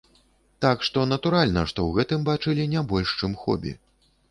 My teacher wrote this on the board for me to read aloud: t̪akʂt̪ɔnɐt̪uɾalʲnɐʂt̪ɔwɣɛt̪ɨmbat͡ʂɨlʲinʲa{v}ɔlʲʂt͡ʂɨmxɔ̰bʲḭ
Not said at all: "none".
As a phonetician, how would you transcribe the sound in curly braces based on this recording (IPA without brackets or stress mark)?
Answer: b